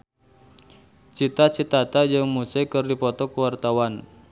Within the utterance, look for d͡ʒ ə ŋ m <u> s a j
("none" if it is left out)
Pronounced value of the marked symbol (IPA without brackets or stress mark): u